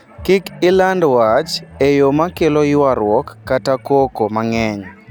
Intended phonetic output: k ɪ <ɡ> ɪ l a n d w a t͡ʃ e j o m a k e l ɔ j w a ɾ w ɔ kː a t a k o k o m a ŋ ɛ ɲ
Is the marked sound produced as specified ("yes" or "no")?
no